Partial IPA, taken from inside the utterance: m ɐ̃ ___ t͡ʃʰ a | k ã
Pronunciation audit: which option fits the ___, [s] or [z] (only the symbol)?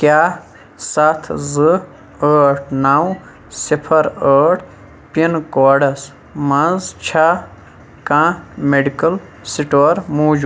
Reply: z